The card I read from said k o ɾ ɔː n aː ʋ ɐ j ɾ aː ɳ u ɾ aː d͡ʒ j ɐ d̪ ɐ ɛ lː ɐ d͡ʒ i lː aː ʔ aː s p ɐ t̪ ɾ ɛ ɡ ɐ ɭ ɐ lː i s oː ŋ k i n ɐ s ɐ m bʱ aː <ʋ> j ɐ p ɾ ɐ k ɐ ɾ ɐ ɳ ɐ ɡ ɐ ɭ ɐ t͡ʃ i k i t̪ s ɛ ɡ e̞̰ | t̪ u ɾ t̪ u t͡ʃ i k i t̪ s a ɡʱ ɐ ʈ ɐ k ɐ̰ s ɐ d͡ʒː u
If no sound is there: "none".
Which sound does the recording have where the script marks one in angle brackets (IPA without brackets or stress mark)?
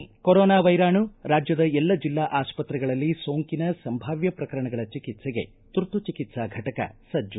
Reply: ʋ